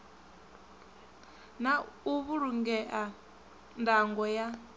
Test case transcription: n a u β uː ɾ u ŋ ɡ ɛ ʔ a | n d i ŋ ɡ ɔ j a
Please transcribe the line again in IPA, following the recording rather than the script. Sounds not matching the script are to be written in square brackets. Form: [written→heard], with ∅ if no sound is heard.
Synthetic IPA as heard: n a u β [uː→u] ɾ u ŋ ɡ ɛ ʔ a | n d [i→a] ŋ ɡ ɔ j a

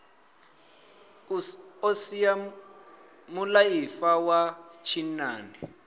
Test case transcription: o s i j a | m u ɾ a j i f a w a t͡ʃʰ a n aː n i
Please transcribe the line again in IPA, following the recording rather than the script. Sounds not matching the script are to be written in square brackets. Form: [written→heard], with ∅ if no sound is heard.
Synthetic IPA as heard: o s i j a | m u [ɾ→l] a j i f a w a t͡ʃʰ [a→i] n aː n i

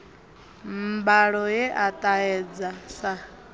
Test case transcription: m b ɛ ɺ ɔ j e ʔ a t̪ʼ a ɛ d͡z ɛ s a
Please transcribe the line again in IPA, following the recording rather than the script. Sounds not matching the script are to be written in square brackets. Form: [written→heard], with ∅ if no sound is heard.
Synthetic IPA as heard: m b [ɛ→a] ɺ ɔ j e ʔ a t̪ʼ a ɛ d͡z [ɛ→a] s a

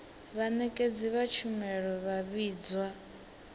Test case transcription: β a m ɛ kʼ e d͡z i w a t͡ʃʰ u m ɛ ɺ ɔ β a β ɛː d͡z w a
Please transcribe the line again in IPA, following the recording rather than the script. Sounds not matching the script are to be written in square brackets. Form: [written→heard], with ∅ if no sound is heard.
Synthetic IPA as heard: β a [m→n] ɛ kʼ e d͡z i [w→β] a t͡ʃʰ u m ɛ ɺ ɔ β a β [ɛː→iː] d͡z w a

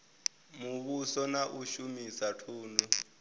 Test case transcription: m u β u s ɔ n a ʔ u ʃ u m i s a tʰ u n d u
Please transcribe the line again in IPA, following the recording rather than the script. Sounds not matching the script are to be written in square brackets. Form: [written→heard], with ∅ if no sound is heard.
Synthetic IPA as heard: m u β u s ɔ n a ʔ u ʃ u m i s a tʰ [u→uː] n d u

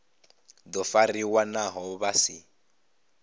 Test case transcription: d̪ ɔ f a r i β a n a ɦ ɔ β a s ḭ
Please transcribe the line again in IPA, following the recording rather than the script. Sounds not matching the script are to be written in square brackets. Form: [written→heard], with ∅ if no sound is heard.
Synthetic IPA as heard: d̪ ɔ f a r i [β→w] a n a ɦ ɔ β a s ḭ

